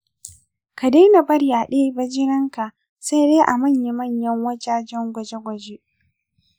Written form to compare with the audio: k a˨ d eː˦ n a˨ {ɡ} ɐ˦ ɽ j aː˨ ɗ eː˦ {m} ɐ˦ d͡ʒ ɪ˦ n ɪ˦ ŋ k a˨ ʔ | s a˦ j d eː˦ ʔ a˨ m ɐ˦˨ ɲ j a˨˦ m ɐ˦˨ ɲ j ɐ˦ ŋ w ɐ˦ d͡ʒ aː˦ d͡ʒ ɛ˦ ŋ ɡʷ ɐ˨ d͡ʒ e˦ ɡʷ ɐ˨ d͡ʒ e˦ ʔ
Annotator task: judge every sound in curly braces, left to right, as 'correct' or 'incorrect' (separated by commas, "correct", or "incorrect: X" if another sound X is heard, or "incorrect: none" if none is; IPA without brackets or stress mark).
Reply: incorrect: b, incorrect: b